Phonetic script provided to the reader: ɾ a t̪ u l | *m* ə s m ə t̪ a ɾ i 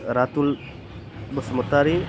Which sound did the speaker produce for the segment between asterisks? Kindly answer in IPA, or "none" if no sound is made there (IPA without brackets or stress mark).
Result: b